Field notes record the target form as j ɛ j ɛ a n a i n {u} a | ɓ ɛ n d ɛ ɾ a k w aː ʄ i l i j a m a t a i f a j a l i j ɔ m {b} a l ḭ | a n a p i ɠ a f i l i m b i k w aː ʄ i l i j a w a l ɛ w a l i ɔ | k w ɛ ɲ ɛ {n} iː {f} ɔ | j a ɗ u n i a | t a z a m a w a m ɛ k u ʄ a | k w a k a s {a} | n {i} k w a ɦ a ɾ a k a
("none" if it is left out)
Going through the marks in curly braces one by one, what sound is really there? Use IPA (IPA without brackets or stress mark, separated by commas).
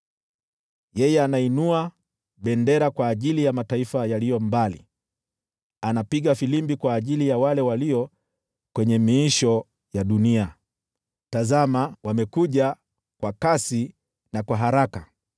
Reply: u, b, m, ʃ, i, a